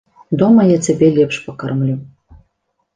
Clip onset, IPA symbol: d̪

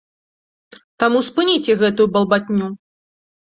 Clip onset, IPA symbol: t̪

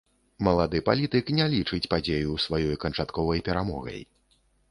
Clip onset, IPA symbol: m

